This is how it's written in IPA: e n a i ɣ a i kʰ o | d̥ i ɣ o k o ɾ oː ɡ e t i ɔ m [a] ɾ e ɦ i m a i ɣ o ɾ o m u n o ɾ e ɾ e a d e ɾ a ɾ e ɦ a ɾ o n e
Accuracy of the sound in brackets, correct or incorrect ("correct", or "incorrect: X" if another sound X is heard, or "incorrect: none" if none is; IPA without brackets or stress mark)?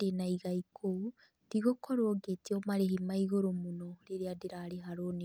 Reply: correct